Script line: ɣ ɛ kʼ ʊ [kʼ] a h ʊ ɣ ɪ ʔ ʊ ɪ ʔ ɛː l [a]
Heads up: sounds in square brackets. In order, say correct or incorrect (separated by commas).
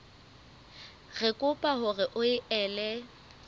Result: incorrect, incorrect